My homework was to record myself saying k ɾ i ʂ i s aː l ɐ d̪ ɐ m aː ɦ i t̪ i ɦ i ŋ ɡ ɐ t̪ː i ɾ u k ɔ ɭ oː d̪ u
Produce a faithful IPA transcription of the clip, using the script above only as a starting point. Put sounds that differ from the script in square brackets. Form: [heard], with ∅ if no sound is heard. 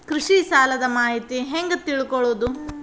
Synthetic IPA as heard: k ɾ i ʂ i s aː l ɐ d̪ ɐ m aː ɦ i t̪ i ɦ [e] ŋ ɡ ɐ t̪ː i [ɭ] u k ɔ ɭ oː d̪ u